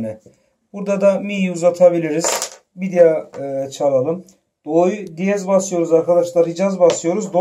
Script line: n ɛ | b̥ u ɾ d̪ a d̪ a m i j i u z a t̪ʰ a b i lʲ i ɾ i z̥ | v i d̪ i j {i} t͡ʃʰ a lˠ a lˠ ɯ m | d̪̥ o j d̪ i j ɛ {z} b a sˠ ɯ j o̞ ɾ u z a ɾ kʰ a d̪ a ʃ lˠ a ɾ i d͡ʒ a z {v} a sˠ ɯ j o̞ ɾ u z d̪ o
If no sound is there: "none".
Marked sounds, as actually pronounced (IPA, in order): a, z, b

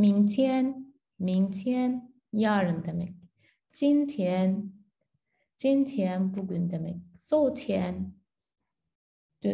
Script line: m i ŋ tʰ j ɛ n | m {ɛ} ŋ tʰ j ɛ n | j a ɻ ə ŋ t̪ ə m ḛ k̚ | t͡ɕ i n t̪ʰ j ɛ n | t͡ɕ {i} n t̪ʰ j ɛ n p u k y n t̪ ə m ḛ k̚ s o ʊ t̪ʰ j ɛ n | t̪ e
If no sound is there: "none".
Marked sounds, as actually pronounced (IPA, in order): i, i

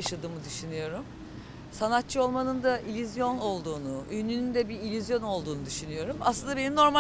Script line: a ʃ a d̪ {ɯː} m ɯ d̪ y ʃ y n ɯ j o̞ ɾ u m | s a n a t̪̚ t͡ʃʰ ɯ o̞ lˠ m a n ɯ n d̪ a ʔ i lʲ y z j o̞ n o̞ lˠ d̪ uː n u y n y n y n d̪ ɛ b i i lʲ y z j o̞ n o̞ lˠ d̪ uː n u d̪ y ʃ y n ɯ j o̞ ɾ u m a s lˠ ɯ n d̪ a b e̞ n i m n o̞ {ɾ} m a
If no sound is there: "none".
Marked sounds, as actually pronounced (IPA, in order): ɯː, ɾ

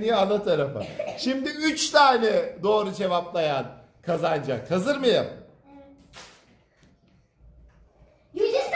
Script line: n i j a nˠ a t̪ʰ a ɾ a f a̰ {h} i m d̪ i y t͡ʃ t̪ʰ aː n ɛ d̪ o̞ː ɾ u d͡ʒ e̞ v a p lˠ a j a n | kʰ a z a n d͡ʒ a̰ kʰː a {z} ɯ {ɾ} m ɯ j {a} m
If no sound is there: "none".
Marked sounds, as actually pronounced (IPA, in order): ʃ, z, ɾ, a

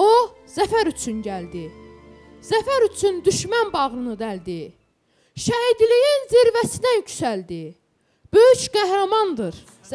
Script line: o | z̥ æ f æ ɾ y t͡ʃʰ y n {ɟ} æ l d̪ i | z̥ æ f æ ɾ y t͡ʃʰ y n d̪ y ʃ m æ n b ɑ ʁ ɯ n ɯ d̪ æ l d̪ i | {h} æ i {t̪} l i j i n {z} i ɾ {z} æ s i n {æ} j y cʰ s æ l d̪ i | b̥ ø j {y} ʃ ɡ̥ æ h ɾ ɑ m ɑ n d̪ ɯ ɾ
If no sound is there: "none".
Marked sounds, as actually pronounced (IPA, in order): ɟ, ʃ, d̪, z, v, æ, y

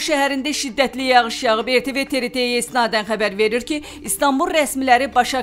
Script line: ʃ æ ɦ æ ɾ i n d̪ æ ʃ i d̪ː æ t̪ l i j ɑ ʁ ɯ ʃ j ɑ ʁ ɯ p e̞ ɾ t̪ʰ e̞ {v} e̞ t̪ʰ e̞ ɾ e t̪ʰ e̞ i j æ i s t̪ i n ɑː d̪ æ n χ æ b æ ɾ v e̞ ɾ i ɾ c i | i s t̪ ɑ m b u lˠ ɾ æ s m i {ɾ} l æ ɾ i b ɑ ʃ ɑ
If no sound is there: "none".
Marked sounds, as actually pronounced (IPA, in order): v, none

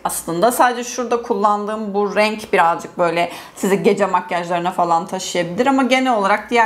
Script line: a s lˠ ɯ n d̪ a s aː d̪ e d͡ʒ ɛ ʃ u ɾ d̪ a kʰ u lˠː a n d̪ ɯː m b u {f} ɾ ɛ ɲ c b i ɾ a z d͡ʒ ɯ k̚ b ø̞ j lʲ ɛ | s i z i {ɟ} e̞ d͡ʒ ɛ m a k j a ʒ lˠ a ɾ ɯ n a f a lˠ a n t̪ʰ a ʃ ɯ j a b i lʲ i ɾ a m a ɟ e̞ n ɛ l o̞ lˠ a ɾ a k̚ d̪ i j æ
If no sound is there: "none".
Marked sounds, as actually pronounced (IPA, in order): none, ɟ

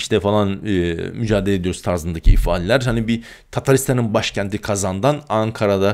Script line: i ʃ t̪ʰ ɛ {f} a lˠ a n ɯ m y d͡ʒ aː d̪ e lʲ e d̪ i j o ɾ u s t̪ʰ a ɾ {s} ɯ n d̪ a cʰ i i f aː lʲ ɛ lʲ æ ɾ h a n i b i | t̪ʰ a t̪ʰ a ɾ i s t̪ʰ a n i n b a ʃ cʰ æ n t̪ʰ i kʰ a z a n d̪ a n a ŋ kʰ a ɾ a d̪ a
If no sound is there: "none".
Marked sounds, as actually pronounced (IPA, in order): f, z

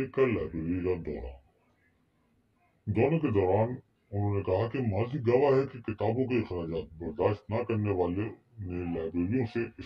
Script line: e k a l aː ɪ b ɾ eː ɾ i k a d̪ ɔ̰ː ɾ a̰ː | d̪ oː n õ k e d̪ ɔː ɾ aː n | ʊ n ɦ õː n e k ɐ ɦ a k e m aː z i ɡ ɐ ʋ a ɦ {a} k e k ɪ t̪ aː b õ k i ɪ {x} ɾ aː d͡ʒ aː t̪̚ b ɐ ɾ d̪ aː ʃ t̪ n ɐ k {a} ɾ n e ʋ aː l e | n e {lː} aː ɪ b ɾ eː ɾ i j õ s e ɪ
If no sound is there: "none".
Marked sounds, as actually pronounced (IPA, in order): ɛ, x, ɐ, l

